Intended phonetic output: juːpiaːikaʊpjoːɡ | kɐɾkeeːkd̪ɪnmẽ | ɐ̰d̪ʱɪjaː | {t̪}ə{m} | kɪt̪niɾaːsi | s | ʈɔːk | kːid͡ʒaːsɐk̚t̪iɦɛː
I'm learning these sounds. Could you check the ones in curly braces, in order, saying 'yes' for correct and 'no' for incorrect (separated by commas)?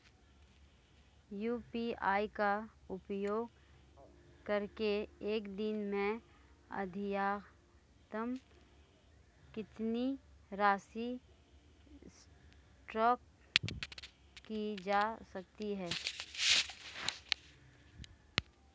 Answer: yes, yes